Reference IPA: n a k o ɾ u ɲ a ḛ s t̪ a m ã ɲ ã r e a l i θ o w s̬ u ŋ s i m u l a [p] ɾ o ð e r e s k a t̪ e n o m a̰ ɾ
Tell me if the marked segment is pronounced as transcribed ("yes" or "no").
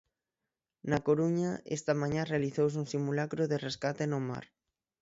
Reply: no